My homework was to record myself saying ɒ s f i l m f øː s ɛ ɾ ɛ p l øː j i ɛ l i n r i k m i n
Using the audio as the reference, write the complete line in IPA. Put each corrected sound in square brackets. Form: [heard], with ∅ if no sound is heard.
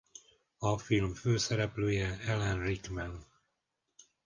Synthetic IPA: ɒ [∅] f i l m f øː s ɛ ɾ ɛ p l øː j [ɛ] ɛ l [ɛ] n r i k m [ɛ] n